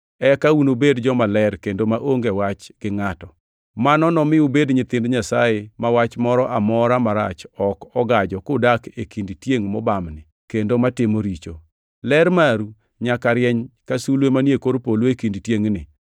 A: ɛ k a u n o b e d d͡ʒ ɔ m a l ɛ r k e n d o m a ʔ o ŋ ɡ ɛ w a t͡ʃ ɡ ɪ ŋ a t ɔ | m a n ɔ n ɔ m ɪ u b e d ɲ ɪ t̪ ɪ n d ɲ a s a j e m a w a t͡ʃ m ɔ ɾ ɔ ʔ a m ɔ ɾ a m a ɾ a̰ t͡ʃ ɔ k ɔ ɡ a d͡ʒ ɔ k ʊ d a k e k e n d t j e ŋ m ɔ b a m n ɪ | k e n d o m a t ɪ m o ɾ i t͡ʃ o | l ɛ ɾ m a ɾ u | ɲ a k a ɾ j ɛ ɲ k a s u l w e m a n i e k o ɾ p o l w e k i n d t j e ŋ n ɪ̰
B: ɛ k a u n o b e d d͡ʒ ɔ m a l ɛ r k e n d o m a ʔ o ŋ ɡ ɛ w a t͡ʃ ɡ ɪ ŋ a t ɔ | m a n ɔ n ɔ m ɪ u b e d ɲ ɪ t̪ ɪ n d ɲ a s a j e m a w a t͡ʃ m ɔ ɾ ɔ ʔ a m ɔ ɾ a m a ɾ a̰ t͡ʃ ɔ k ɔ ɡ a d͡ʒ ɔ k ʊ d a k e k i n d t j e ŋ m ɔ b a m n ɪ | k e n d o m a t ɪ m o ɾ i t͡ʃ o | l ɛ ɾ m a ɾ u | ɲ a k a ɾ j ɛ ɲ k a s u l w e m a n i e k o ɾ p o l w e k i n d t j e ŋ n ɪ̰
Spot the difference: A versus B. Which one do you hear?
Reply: B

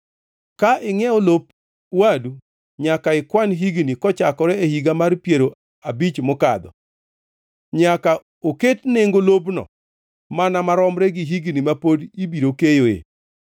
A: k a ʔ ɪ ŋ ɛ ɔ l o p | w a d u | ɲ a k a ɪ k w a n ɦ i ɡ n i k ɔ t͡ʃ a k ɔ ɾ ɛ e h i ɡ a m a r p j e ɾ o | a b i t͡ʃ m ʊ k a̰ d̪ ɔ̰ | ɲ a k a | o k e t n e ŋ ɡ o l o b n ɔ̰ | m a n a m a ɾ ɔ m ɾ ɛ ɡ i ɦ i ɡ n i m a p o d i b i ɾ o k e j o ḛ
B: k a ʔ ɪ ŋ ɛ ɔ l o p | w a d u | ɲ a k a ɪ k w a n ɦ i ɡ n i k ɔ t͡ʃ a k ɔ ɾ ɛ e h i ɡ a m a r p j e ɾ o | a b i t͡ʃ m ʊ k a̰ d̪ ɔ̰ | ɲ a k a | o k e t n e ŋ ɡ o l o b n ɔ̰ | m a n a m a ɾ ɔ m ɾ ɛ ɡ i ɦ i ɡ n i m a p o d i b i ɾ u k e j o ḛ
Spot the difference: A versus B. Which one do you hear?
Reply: A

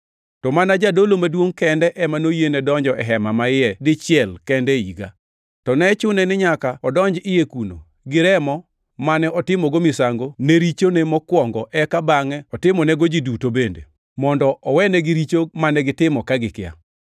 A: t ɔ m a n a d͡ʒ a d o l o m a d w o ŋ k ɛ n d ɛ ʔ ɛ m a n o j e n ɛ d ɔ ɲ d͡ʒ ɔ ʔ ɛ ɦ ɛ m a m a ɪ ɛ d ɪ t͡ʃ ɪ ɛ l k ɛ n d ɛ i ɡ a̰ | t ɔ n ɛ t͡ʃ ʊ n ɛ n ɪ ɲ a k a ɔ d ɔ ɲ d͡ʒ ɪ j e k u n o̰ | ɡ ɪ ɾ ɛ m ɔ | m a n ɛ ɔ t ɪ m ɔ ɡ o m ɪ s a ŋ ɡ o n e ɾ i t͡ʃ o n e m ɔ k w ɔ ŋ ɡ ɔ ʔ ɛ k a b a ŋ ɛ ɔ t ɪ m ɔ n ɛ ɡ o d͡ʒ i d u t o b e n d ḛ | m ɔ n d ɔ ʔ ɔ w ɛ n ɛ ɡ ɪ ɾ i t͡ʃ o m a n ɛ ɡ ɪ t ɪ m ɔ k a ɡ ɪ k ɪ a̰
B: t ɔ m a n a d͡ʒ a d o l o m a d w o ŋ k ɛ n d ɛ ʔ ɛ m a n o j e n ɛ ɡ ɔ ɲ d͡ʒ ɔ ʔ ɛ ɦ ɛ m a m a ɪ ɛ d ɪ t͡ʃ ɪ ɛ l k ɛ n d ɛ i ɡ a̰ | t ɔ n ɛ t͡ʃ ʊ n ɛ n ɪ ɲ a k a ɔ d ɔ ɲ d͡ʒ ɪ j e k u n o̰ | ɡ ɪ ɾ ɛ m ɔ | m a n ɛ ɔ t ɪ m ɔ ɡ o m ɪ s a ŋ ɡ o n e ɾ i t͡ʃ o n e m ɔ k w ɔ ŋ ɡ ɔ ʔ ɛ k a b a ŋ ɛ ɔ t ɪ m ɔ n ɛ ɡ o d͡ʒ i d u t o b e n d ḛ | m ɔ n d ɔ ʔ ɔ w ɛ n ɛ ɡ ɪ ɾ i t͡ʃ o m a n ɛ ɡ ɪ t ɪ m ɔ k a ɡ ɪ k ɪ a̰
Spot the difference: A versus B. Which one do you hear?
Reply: A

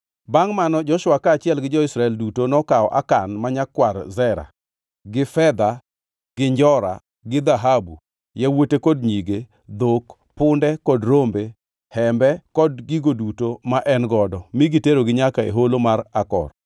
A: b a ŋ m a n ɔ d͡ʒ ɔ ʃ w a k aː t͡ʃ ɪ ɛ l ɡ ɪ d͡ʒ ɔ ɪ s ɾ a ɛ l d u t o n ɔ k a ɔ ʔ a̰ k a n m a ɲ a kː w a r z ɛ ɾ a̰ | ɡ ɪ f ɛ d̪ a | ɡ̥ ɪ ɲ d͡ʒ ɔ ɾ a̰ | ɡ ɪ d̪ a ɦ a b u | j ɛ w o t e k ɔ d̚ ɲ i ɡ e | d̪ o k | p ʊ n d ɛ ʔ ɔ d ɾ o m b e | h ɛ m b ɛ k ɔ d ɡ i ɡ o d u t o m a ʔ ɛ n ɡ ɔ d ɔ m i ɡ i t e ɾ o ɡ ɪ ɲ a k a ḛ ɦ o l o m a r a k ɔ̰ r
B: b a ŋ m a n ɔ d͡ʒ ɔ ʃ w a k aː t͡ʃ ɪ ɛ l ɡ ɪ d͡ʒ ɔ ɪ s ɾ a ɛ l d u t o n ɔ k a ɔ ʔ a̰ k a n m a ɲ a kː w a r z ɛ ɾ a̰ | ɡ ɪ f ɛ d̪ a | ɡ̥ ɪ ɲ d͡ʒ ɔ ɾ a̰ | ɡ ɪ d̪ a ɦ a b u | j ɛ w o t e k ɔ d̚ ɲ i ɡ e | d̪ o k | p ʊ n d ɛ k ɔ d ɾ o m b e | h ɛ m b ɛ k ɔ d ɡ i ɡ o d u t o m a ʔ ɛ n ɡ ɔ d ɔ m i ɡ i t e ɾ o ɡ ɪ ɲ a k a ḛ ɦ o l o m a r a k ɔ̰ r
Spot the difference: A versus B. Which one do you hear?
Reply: B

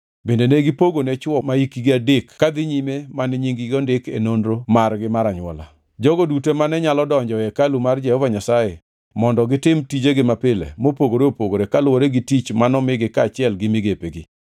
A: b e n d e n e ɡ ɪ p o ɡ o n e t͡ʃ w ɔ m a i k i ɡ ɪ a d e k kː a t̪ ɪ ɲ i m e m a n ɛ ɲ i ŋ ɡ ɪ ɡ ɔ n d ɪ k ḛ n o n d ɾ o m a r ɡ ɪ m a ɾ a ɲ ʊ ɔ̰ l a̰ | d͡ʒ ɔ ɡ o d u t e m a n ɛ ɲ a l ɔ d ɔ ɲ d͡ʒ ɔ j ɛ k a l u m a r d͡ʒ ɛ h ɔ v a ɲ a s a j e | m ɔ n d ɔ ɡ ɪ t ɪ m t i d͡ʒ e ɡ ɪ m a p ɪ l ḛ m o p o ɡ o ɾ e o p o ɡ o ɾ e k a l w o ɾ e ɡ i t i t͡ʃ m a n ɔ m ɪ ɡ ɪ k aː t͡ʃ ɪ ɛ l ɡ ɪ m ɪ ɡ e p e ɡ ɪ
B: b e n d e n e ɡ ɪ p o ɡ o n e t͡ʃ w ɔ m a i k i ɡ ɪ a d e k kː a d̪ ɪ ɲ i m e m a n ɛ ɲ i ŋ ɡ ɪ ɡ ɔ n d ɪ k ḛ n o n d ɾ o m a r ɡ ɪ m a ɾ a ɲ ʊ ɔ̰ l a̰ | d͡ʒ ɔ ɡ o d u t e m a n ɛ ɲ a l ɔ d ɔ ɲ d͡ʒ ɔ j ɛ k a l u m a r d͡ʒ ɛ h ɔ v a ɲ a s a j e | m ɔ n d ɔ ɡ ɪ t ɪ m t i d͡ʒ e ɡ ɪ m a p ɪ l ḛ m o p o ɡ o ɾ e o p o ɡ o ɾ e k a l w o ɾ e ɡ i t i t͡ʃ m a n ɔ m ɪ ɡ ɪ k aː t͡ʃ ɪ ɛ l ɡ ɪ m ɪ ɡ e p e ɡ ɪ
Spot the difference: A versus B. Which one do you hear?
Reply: B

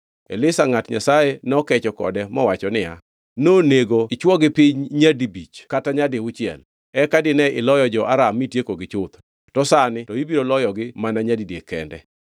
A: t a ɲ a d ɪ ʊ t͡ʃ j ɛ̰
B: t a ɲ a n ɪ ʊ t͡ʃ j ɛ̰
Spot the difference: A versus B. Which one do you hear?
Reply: A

